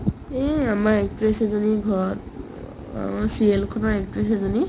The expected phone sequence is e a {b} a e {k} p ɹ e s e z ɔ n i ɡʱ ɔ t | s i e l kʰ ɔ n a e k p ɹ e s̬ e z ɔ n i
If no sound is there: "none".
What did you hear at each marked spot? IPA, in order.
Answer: m, k

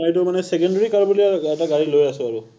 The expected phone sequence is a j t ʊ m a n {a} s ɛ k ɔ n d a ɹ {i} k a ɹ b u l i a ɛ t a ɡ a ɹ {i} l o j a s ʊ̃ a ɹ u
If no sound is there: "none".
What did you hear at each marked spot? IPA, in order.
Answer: ɛ, i, i

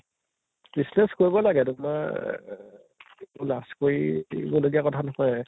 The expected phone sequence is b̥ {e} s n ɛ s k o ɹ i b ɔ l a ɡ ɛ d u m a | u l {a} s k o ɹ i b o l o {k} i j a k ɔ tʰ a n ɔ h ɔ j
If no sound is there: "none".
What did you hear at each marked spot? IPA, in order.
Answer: i, a, ɡ

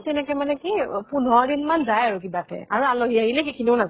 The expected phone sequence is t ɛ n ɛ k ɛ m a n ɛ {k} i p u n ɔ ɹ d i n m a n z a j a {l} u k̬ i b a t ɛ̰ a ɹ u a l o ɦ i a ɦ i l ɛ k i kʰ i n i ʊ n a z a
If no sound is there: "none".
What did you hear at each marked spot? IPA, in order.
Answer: k, ɹ

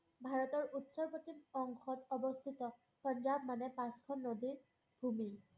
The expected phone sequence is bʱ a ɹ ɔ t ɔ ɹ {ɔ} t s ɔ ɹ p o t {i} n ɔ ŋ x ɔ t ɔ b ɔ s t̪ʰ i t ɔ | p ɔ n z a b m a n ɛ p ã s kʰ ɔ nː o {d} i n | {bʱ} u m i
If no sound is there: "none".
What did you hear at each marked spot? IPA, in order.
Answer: u, i, d, bʱ

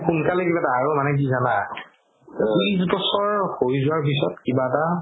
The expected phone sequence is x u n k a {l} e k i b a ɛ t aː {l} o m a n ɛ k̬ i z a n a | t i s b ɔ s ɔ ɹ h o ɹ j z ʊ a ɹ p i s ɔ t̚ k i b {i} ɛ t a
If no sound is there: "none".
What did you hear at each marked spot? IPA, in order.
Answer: l, ɹ, a

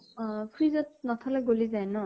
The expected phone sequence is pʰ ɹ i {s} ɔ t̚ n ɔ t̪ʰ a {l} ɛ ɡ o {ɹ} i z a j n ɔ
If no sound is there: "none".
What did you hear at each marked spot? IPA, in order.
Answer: z, l, l

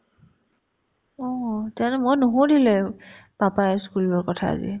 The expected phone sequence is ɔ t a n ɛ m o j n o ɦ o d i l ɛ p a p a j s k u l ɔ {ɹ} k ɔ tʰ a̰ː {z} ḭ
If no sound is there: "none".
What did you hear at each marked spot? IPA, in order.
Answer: ɹ, z

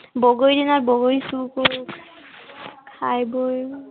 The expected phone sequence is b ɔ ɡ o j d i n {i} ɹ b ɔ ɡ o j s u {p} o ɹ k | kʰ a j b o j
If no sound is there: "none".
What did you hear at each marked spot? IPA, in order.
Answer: a, k

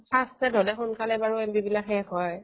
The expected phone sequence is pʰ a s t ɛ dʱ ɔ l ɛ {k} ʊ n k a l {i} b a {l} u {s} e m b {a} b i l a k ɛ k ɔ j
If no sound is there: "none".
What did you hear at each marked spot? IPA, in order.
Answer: x, ɛ, ɹ, none, i

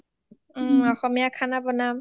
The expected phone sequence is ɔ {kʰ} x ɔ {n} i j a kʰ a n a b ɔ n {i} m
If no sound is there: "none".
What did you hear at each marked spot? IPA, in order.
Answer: none, m, a

